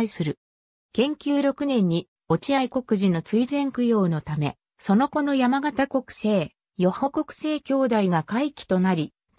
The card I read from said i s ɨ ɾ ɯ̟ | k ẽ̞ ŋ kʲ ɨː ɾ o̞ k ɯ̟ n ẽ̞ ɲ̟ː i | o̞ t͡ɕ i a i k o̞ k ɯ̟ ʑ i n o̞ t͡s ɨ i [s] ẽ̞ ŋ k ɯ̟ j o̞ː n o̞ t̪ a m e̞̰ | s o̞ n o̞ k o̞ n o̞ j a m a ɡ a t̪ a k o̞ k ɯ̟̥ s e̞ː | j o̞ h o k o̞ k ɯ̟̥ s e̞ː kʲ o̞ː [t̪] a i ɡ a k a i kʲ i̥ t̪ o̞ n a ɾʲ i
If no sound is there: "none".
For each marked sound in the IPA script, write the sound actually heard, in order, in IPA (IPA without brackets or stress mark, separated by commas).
z, d̪